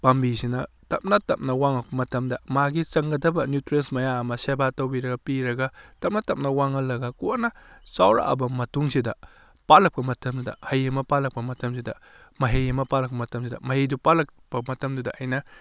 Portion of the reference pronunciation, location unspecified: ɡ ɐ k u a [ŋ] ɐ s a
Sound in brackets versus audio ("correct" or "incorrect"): incorrect